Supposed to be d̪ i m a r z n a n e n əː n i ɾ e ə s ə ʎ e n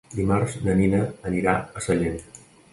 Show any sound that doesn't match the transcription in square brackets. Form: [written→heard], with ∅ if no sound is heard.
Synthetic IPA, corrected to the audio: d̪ i m a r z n [a→ə] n [e→i] n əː n i ɾ [e→a] ə s ə ʎ e n